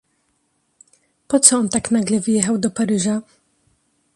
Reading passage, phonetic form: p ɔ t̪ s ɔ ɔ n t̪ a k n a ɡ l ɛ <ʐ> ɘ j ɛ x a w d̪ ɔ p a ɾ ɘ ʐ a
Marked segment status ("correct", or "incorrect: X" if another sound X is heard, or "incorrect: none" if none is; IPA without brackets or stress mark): incorrect: v